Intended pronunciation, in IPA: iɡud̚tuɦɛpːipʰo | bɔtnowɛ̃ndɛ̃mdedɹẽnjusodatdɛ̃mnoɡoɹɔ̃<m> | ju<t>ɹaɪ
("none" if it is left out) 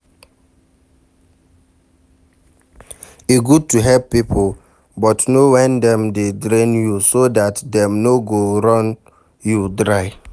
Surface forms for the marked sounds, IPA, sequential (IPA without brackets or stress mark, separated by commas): n, d